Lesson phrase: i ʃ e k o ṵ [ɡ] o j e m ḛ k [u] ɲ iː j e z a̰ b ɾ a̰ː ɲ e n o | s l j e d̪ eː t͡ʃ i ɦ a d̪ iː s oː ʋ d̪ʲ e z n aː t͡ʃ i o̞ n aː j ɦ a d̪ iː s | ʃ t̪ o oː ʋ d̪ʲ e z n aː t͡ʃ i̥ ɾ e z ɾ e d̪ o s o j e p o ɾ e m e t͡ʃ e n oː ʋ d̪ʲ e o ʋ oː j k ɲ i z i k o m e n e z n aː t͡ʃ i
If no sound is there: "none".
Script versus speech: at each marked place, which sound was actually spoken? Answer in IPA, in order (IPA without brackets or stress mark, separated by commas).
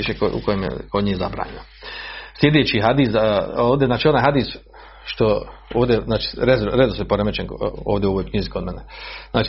k, o